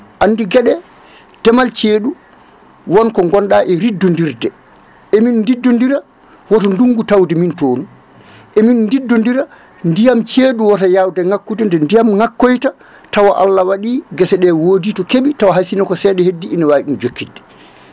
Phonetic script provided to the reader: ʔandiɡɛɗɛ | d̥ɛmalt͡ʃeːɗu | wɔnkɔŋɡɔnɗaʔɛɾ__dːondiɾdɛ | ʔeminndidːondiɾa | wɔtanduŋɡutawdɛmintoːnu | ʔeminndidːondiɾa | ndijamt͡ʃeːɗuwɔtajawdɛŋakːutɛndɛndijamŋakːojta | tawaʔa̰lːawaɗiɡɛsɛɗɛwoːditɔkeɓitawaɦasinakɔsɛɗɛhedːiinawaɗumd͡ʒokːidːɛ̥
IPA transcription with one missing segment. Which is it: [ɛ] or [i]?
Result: i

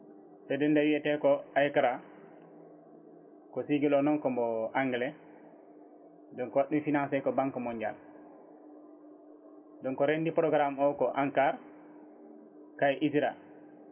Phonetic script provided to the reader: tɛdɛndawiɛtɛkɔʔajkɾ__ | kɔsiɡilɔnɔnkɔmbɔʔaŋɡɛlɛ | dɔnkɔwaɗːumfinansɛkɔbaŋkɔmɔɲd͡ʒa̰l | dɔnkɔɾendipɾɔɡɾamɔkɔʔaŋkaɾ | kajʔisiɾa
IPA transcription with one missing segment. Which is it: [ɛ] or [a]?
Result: a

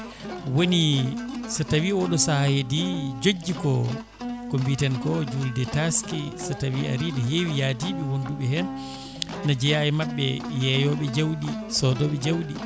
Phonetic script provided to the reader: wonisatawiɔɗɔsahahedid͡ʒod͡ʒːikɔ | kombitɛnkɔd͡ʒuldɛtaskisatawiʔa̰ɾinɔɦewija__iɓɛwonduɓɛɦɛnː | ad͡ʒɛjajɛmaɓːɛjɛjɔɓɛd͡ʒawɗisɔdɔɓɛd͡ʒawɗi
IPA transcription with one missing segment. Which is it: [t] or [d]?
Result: d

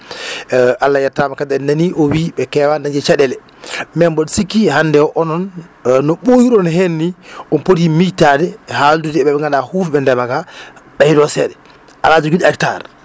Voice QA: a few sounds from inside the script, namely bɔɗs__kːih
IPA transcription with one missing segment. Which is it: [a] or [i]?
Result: i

